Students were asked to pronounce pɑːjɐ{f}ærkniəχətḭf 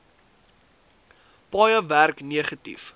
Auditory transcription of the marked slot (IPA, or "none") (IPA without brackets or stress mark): v